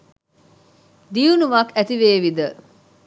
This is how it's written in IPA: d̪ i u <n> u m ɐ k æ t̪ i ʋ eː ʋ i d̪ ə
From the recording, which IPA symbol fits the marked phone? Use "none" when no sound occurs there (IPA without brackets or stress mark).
n